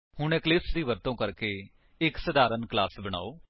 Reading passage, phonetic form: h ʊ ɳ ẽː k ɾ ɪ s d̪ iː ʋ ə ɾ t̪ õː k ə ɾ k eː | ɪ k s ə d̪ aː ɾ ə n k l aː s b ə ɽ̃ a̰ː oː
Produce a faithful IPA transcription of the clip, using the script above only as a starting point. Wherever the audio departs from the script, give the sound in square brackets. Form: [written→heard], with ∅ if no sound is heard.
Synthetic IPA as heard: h ʊ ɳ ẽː k [ɾ→l] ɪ s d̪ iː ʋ ə ɾ t̪ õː k ə ɾ k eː | ɪ k s ə d̪ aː ɾ ə n k l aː s b ə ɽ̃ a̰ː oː